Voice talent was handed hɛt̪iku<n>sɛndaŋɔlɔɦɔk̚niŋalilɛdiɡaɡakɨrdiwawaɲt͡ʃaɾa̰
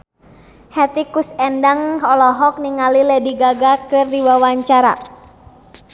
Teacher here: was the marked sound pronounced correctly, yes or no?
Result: no